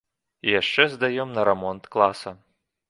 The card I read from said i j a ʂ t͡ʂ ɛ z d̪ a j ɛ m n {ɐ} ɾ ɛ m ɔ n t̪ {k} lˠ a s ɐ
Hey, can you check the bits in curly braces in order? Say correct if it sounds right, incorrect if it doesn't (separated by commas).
correct, correct